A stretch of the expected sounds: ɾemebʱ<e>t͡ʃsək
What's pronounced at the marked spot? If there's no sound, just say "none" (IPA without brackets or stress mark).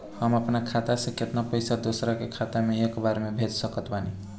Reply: e